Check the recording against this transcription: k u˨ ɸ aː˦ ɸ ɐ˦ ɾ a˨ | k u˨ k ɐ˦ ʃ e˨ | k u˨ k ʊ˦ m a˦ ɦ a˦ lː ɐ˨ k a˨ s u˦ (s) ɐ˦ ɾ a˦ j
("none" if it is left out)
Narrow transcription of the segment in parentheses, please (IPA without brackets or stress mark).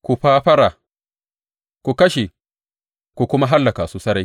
s